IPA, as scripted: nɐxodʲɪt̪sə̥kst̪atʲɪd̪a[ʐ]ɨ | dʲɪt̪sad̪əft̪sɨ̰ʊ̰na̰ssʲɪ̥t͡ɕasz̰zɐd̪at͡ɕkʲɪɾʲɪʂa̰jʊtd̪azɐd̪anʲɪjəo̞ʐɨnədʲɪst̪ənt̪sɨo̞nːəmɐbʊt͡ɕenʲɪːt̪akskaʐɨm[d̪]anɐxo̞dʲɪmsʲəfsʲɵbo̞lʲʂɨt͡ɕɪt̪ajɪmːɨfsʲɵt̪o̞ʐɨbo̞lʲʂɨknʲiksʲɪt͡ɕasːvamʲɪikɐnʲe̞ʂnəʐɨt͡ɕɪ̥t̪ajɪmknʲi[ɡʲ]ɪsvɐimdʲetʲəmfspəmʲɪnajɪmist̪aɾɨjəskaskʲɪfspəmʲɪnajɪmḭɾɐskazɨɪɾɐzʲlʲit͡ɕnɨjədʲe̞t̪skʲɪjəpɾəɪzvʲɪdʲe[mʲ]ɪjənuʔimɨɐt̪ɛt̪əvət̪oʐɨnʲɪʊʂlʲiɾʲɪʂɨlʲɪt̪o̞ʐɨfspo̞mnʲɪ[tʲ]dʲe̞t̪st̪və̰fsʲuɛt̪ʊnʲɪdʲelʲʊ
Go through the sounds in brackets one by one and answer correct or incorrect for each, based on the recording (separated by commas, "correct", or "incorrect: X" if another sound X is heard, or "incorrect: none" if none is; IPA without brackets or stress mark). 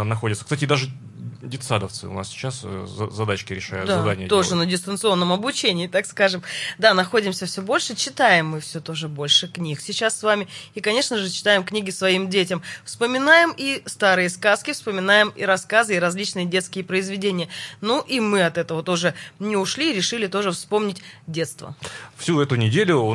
correct, correct, correct, incorrect: nʲ, correct